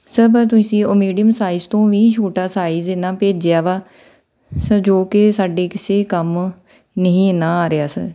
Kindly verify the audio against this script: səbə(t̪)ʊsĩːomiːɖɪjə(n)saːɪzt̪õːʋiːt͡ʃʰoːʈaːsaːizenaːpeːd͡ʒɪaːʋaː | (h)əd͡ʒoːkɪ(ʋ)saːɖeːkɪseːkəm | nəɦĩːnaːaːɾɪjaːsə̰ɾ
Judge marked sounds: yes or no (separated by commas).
yes, no, no, no